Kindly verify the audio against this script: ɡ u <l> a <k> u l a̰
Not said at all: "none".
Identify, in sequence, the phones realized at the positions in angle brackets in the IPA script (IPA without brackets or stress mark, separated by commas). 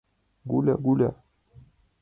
l, ɡ